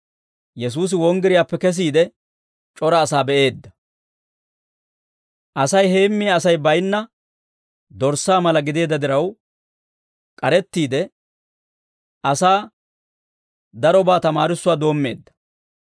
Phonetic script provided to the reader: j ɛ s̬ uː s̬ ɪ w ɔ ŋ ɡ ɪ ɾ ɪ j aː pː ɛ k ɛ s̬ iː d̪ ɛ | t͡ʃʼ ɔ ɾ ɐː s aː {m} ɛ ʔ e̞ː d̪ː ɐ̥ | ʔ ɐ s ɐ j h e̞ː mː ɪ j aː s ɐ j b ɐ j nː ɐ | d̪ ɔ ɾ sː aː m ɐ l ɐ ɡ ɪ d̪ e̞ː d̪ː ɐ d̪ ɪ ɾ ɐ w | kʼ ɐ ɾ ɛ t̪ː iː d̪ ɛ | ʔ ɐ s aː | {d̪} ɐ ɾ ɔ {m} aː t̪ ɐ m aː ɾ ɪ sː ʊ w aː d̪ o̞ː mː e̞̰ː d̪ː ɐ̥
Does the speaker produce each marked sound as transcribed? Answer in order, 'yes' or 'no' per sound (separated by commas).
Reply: no, yes, no